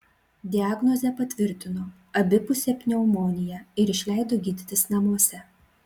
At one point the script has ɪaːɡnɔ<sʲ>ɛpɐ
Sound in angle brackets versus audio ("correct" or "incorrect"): incorrect